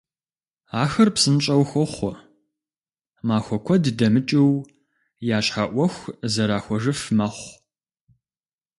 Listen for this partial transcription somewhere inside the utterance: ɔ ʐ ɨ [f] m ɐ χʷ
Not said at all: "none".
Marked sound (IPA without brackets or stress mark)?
f